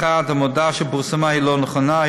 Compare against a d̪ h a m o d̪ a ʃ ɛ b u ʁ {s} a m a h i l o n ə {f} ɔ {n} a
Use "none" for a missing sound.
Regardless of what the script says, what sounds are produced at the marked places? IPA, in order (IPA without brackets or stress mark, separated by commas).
s, χ, n